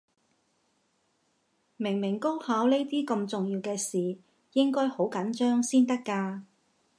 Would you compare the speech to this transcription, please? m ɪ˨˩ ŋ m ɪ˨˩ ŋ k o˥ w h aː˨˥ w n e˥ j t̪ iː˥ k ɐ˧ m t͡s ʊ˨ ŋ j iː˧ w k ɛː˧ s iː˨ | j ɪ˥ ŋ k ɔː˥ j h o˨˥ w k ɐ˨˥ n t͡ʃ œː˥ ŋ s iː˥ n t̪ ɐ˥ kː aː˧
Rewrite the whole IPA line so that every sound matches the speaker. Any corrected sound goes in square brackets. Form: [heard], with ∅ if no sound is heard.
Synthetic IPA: m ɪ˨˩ ŋ m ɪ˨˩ ŋ k o˥ w h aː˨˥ w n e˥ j t̪ iː˥ k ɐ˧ m t͡s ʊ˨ ŋ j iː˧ w k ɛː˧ s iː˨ | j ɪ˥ ŋ k ɔː˥ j h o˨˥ w k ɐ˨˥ n t͡ʃ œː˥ ŋ s iː˥ n t̪ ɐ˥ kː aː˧

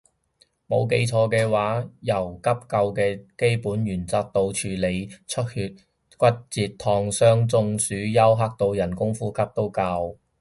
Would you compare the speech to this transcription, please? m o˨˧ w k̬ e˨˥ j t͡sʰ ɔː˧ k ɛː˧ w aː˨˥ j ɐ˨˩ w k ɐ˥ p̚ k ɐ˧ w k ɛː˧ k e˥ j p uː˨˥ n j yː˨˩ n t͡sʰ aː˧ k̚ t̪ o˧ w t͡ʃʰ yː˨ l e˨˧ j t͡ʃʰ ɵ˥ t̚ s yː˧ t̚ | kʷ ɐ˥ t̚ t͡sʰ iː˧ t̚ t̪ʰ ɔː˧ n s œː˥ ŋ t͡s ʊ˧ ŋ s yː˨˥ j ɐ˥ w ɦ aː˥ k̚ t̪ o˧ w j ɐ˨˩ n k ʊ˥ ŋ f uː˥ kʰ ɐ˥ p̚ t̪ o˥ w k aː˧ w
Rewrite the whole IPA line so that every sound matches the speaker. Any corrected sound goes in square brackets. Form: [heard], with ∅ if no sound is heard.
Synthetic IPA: m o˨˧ w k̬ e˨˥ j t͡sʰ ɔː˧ k ɛː˧ w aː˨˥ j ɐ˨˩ w k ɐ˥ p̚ k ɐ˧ w k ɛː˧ k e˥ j p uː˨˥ n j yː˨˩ n [t͡s] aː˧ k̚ t̪ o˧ w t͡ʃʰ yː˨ l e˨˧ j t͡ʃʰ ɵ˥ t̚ [h] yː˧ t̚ | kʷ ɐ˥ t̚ [t͡s] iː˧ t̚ t̪ʰ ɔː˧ [ŋ] s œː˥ ŋ t͡s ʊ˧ ŋ s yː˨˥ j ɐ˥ w ɦ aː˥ k̚ t̪ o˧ w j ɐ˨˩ n k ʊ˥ ŋ f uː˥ kʰ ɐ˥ p̚ t̪ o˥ w k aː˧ w

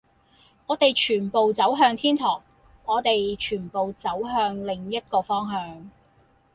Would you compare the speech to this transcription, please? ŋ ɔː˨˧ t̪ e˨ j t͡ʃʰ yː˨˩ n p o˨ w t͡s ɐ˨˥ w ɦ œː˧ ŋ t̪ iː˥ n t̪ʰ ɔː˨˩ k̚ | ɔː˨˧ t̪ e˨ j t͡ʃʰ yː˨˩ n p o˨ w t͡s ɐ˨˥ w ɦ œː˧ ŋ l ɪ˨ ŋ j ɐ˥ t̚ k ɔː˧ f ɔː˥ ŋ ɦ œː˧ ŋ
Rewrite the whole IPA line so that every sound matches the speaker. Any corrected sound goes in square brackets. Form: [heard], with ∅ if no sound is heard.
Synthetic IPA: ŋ ɔː˨˧ t̪ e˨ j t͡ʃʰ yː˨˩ n p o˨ w t͡s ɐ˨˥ w ɦ œː˧ ŋ [t̪ʰ] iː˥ n t̪ʰ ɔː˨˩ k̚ | ɔː˨˧ t̪ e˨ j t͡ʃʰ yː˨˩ n p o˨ w t͡s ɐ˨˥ w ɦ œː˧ ŋ l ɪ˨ ŋ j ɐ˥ t̚ k ɔː˧ f ɔː˥ ŋ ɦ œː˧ ŋ

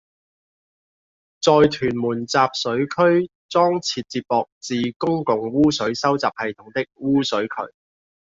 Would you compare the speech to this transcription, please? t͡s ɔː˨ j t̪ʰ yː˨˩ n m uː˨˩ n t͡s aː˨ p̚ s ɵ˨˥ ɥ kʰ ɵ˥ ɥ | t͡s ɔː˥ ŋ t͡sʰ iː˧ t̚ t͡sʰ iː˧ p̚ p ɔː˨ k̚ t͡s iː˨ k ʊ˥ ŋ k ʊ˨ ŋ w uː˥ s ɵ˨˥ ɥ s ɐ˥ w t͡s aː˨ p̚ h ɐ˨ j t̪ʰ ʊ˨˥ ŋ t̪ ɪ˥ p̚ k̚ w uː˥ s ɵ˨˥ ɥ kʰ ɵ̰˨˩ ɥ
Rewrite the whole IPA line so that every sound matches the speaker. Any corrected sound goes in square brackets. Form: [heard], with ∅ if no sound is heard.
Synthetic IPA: t͡s ɔː˨ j t̪ʰ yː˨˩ n m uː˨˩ n t͡s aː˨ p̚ s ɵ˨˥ ɥ kʰ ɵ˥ ɥ | t͡s ɔː˥ ŋ t͡sʰ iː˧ t̚ [t͡s] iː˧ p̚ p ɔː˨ k̚ t͡s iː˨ k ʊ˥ ŋ k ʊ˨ ŋ w uː˥ s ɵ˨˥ ɥ s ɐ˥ w t͡s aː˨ p̚ h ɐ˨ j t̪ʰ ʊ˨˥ ŋ t̪ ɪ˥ [∅] k̚ w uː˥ s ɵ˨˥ ɥ kʰ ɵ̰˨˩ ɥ

